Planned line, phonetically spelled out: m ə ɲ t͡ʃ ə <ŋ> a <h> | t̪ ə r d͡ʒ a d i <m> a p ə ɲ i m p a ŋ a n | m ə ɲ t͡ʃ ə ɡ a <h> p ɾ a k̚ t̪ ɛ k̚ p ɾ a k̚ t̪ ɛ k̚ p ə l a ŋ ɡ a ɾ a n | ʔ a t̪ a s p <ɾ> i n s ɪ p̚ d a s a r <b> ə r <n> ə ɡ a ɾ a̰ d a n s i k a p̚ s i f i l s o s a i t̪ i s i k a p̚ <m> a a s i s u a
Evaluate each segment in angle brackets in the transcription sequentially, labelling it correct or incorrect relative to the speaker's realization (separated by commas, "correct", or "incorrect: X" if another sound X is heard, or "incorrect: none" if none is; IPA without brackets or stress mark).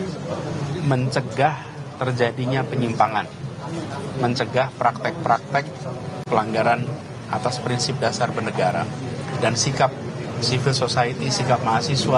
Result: incorrect: ɡ, correct, incorrect: ɲ, correct, correct, correct, correct, correct